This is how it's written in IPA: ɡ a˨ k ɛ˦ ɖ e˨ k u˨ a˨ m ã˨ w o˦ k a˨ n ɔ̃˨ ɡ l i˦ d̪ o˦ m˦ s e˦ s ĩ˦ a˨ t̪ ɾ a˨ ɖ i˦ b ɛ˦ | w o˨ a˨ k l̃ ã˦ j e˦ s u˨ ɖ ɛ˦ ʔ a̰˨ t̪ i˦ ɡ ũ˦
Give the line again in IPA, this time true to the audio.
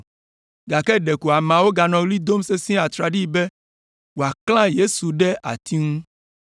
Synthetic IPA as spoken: ɡ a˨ k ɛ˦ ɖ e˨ k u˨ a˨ m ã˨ w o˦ ɡ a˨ n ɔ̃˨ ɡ l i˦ d̪ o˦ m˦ s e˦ s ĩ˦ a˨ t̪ ɾ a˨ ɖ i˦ b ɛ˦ | w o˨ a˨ k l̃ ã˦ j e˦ s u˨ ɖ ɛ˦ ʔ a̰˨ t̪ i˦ ŋ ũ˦

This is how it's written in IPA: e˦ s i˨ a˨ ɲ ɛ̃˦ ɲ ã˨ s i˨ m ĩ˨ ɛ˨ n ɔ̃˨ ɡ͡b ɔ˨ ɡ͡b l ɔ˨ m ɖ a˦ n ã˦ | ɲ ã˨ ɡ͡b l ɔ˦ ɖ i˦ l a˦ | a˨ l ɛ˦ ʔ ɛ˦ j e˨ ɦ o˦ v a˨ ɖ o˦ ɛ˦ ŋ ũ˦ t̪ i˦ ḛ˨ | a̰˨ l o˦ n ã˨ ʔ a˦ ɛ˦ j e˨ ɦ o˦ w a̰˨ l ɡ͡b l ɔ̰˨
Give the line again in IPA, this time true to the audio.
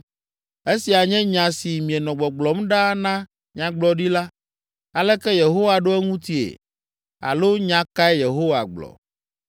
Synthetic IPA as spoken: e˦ s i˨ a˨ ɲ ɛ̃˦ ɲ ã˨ s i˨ m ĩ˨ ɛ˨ n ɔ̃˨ ɡ͡b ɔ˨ ɡ͡b l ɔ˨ m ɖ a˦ n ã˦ | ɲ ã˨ ɡ͡b l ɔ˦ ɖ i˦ l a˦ | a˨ l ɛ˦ k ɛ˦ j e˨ ɦ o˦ w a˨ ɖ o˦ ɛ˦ ŋ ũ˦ t̪ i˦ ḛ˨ | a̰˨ l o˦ ɲ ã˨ k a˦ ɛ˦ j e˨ ɦ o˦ w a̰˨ ɡ͡b l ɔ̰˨

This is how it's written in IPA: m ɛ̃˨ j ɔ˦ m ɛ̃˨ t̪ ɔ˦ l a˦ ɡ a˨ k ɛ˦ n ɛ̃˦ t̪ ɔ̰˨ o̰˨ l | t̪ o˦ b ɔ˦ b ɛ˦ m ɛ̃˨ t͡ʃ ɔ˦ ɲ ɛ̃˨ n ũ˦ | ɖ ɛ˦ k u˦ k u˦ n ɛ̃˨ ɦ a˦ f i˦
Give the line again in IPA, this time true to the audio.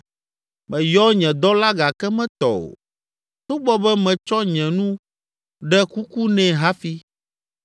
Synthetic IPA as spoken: m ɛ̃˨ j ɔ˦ ɲ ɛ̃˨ d̪ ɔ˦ l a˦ ɡ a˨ k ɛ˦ m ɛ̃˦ t̪ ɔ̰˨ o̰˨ | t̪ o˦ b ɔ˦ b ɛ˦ m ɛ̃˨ t͡ʃ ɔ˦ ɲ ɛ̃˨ n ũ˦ | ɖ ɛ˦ k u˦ k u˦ n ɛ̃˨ ɦ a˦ f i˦

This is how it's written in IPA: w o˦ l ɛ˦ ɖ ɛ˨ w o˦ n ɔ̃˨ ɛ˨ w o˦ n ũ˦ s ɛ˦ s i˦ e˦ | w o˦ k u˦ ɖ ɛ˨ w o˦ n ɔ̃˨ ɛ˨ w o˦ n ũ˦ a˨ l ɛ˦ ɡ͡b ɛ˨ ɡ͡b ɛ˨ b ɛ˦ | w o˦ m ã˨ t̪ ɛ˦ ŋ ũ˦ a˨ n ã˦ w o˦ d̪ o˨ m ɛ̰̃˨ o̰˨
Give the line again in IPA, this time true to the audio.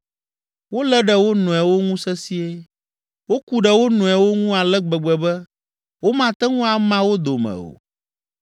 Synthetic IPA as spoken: w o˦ l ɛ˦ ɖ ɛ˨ w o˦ n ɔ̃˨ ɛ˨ w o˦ ŋ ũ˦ s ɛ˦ s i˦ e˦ | w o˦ k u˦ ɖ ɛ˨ w o˦ n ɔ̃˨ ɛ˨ w o˦ ŋ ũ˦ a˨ l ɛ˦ ɡ͡b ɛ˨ ɡ͡b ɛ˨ b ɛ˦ | w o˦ m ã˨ t̪ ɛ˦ ŋ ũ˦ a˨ m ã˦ w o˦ d̪ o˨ m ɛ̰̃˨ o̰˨

